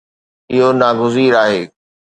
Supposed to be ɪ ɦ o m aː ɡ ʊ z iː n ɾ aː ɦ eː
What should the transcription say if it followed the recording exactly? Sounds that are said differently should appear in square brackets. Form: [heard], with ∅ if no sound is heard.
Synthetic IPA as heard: ɪ ɦ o [n] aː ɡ ʊ z iː [∅] ɾ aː ɦ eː